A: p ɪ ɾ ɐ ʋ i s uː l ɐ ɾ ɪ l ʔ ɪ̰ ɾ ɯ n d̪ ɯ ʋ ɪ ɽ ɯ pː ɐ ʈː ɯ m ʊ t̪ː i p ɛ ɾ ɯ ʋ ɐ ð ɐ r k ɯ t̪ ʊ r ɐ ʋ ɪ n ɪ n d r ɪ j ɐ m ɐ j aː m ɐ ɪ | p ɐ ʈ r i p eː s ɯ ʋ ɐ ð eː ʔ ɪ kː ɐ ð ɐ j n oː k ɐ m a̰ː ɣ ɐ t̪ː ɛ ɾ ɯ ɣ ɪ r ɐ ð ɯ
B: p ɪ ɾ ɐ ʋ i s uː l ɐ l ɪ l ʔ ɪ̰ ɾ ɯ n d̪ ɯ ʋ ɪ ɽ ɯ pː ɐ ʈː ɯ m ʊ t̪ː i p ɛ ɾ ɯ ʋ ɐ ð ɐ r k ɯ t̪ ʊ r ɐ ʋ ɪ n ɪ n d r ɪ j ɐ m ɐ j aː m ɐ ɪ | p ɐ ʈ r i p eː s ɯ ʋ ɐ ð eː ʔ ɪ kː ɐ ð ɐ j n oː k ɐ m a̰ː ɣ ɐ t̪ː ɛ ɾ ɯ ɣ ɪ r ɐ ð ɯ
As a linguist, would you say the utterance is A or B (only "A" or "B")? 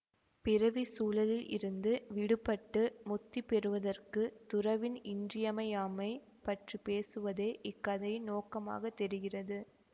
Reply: B